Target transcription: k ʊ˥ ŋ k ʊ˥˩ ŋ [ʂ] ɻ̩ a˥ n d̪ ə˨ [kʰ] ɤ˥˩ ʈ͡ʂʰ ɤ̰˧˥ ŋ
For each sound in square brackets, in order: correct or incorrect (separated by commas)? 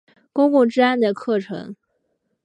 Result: incorrect, correct